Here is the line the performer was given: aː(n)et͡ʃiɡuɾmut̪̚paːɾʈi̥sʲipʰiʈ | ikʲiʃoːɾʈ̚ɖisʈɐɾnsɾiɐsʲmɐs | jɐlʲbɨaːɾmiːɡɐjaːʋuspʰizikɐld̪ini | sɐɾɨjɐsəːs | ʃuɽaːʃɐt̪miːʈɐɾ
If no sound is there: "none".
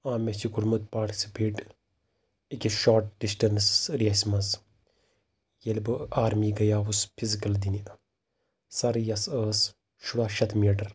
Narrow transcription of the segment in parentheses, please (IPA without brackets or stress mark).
m